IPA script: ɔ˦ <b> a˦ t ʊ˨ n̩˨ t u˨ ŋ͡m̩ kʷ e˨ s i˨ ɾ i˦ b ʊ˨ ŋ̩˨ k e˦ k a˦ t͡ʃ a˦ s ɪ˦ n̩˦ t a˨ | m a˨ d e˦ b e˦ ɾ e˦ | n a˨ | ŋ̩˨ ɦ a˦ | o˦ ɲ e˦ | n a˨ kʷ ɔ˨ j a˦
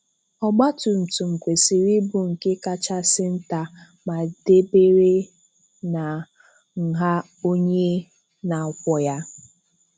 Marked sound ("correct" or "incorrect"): incorrect